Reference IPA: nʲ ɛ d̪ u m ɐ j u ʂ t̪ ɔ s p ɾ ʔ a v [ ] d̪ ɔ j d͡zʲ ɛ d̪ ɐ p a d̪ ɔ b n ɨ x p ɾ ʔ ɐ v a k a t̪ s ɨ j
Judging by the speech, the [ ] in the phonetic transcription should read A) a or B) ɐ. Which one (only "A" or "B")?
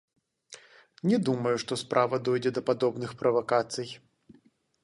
B